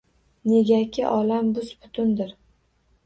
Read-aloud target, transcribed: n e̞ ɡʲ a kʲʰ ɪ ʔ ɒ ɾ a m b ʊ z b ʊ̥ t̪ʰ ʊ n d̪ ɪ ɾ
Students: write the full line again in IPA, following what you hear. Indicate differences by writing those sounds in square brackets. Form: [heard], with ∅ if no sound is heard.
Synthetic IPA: n e̞ ɡʲ a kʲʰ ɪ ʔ ɒ [l] a m b ʊ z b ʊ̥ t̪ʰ ʊ n d̪ ɪ ɾ